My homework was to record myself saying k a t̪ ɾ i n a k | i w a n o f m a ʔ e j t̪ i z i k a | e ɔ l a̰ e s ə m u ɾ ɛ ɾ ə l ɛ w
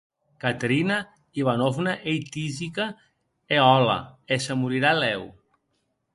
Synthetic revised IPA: k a t̪ ɾ i n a | i β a n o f n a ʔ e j t̪ i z i k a | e ɔ l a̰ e s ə m u ɾ i ɾ a l ɛ w